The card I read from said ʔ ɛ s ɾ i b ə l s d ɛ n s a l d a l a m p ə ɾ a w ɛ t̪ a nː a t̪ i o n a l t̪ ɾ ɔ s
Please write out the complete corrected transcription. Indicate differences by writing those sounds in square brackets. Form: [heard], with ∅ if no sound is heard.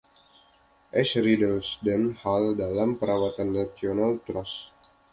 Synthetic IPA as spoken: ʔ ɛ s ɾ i [d] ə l s d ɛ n [h] a l d a l a m p ə ɾ a w [a] t̪ a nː a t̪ i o n a l t̪ ɾ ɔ s